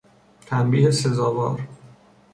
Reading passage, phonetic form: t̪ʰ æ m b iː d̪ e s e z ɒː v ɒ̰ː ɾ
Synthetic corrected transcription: t̪ʰ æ m b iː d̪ e s e z ɒː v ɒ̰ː ɾ